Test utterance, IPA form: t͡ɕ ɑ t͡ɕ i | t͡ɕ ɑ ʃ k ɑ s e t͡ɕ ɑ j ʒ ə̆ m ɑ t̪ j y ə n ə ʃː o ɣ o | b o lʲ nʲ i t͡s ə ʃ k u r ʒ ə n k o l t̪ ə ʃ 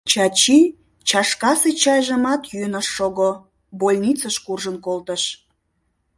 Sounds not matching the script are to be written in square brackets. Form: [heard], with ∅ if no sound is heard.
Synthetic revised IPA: t͡ɕ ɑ t͡ɕ i | t͡ɕ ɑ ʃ k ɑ s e t͡ɕ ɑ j ʒ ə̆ m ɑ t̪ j y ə n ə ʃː o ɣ o | b o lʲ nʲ i t͡s ə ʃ k u r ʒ ə n k o l t̪ ə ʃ

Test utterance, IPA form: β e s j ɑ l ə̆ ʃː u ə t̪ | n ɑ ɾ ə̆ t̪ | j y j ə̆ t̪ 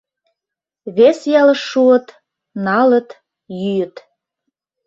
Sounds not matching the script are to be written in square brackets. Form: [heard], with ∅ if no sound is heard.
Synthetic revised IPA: β e s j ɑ l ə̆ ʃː u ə t̪ | n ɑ [l] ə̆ t̪ | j y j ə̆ t̪

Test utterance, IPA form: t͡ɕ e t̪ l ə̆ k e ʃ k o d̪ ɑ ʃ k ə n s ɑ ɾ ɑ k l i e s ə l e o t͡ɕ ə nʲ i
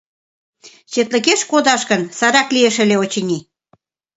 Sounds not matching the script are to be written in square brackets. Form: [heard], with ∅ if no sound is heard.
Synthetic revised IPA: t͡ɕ e t̪ l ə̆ k e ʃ k o d̪ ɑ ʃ k ə n s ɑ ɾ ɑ k l i e [ʃ] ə l e o t͡ɕ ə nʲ i

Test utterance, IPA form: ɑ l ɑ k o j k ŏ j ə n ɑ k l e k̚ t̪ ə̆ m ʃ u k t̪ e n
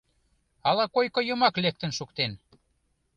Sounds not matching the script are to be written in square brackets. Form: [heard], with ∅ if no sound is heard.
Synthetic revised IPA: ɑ l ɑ k o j k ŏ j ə [m] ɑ k l e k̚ t̪ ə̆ [n] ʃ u k t̪ e n

